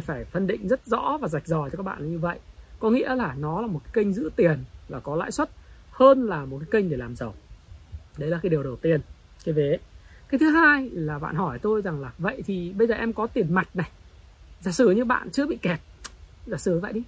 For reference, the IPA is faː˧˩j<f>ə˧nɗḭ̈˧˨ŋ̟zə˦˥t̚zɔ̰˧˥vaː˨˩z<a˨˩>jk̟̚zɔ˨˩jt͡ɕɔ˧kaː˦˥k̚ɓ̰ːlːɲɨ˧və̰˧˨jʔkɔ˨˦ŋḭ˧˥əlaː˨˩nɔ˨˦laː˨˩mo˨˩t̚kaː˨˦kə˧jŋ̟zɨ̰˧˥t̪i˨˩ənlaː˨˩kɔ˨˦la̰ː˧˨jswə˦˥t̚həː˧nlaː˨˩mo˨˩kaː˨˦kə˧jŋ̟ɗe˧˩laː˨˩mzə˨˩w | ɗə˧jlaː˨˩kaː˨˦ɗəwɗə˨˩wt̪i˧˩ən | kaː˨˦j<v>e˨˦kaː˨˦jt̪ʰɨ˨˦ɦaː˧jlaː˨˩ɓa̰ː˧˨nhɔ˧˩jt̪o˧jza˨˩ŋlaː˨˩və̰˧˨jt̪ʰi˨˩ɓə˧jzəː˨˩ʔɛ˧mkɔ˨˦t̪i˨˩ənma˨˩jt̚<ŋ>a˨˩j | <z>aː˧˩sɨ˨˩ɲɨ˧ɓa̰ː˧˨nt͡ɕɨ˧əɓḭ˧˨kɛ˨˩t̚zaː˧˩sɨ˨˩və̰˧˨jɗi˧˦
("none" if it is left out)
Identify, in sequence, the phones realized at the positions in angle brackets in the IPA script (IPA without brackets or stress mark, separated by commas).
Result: f, a˨˩, v, n, z